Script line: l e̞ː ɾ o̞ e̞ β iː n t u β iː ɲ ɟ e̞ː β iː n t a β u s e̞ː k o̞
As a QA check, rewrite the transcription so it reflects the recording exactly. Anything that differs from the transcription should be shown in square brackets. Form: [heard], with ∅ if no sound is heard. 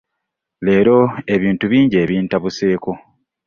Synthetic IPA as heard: l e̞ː ɾ o̞ e̞ β iː n t u β iː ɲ ɟ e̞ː β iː n t a β u s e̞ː k o̞